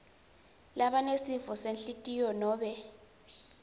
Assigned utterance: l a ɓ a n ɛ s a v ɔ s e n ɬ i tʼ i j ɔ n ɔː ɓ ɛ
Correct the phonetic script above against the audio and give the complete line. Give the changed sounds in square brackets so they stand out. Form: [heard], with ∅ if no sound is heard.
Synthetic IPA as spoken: l a ɓ a n [e] s [i] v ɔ s e n ɬ i tʼ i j ɔ n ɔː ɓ ɛ